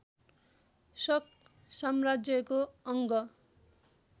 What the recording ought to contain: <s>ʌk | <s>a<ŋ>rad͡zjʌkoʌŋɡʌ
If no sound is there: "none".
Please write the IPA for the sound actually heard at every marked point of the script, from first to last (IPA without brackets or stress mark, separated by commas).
s, s, m